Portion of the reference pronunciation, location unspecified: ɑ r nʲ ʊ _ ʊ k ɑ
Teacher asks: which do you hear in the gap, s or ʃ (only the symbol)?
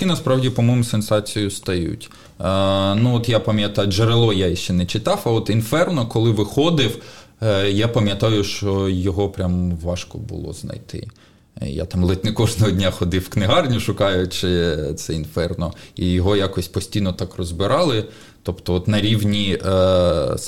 ʃ